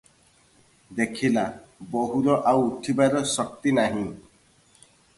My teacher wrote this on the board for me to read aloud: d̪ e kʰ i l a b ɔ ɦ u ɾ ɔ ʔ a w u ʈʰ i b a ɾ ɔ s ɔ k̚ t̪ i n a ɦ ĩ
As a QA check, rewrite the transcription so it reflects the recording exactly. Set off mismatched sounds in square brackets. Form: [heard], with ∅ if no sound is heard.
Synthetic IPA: d̪ e kʰ i l a b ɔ ɦ u ɾ ɔ ʔ a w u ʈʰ i b a ɾ ɔ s ɔ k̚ t̪ i n a ɦ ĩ

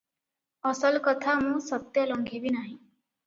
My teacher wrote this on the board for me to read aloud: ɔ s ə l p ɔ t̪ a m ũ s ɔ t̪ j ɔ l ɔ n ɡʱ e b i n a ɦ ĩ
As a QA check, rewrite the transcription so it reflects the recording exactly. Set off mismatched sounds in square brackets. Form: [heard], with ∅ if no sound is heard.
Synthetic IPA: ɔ s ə l [k] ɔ [t̪ʰ] a m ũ s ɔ t̪ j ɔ l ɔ [ŋ] ɡʱ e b i n a ɦ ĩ

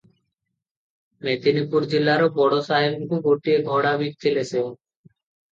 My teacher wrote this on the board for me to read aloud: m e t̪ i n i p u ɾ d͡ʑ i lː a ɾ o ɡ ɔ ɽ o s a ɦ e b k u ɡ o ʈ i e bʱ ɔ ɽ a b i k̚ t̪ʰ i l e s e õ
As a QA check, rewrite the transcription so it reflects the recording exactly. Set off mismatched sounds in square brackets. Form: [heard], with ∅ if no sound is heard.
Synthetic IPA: m e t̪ i n i p u ɾ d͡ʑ i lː a ɾ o [b] ɔ ɽ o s a ɦ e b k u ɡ o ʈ i e [ɡʱ] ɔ ɽ a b i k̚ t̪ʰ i l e s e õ

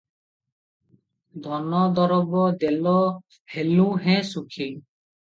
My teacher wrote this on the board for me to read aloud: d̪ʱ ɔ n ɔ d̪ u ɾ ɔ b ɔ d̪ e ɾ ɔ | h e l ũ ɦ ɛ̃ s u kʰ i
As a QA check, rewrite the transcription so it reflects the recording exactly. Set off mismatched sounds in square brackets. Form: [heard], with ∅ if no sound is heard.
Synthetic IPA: d̪ʱ ɔ n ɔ d̪ [ɔ] ɾ ɔ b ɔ d̪ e [l] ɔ | h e l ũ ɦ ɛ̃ s u kʰ i

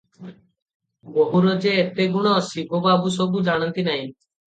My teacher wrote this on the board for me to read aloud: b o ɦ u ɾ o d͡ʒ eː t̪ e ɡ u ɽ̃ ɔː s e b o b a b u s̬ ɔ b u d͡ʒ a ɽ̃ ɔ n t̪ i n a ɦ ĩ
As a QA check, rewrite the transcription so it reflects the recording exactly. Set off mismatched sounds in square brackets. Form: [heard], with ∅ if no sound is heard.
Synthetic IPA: b o ɦ u ɾ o d͡ʒ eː t̪ e ɡ u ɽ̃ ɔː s [i] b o b a b u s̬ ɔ b u d͡ʒ a ɽ̃ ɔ n t̪ i n a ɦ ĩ

